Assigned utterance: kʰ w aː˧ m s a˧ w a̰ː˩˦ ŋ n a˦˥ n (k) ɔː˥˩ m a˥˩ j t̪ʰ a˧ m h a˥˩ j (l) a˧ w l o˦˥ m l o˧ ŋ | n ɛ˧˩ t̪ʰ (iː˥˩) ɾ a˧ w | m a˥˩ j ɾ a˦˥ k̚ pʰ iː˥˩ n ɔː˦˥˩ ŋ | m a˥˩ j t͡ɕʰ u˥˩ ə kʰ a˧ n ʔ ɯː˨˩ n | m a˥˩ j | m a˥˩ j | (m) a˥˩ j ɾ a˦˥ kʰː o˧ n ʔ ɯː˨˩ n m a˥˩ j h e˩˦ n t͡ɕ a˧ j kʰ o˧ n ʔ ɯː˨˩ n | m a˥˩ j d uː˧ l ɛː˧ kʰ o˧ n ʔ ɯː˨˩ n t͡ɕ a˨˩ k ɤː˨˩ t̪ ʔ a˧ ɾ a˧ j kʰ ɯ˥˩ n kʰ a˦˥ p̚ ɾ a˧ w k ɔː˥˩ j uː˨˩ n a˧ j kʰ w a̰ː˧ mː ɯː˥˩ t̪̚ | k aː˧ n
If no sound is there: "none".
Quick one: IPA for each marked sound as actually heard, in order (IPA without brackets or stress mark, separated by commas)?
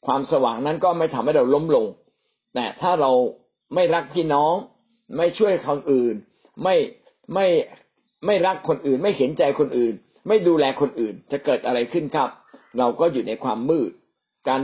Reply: k, ɾ, aː˥˩, m